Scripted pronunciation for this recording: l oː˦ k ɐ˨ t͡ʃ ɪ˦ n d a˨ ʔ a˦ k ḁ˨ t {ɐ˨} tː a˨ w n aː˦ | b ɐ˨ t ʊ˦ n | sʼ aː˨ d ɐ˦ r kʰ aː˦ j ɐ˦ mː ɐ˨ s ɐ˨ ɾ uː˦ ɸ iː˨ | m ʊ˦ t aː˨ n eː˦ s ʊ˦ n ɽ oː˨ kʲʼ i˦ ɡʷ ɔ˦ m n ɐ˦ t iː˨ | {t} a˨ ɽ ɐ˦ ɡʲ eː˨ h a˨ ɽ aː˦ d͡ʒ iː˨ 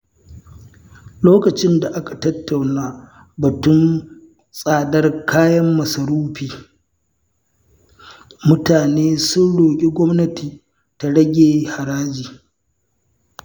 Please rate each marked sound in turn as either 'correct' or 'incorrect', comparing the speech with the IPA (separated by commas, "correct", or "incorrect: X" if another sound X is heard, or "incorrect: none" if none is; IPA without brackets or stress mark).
incorrect: ɐ˦, correct